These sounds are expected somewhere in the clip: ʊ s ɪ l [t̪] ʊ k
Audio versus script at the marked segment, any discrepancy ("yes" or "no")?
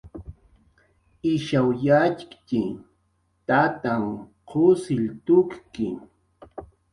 no